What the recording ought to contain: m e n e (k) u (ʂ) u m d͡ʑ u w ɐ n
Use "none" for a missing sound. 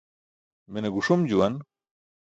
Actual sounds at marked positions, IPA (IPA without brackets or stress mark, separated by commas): ɡ, ʂ